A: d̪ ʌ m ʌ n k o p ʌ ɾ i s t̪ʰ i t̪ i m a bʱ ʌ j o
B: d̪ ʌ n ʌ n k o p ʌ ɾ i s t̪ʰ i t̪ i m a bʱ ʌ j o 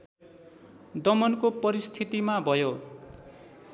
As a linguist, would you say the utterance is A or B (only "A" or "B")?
A